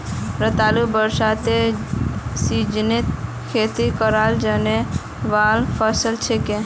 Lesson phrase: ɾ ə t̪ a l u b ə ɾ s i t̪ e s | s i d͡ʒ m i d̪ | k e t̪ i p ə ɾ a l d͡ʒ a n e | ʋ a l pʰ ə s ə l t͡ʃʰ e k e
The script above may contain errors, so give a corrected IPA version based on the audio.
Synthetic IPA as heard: ɾ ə t̪ a l u b ə ɾ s a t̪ e | s i d͡ʒ n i t̪ | kʰ e t̪ i k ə ɾ a l d͡ʒ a n e | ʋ a l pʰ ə s ə l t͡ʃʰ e k e